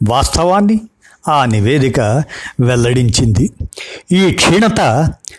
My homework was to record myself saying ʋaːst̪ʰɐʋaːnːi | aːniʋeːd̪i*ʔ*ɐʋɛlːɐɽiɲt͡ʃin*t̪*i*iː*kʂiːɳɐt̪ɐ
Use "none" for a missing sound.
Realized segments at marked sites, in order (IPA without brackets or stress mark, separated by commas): k, d̪, iː